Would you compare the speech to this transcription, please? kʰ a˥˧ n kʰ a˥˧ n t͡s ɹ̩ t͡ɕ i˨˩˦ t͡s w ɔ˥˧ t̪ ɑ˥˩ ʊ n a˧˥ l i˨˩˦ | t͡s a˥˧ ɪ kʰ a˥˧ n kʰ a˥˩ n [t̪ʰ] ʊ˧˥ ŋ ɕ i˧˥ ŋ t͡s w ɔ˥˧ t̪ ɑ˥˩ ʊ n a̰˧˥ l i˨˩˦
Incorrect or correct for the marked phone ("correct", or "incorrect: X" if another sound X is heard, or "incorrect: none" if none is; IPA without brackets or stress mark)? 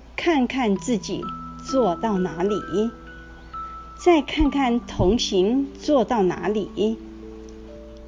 correct